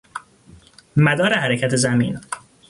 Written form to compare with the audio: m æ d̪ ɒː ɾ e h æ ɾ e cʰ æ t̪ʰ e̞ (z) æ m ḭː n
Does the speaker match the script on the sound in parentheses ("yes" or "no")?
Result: yes